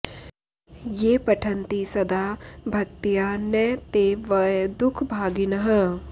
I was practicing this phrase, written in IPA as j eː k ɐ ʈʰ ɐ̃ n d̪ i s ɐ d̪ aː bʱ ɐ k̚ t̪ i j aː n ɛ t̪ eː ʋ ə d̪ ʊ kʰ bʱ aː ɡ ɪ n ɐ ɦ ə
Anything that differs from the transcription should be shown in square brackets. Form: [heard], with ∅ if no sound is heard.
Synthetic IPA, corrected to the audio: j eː [p] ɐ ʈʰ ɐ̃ n [t̪] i s ɐ d̪ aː bʱ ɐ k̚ t̪ i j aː n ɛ t̪ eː ʋ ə d̪ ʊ kʰ bʱ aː ɡ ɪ n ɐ ɦ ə